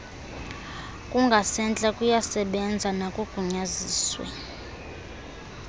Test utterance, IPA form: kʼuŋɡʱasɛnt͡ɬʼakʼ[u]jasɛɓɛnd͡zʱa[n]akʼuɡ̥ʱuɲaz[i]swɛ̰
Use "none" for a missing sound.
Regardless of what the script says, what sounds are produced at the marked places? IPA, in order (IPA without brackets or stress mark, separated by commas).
u, n, iː